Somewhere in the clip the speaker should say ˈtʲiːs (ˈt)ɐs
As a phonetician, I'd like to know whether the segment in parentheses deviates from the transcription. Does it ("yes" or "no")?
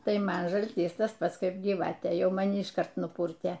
no